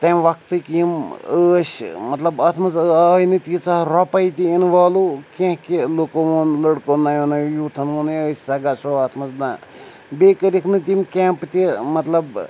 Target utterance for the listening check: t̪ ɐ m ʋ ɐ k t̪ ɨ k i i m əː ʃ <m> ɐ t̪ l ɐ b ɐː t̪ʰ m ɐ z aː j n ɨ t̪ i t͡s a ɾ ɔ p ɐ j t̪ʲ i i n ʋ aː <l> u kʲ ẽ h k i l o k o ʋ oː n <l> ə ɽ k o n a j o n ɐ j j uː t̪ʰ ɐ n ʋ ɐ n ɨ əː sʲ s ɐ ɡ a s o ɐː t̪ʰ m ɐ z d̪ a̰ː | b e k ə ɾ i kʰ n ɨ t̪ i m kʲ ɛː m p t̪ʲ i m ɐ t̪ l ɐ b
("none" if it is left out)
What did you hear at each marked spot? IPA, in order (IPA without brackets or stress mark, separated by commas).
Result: m, l, l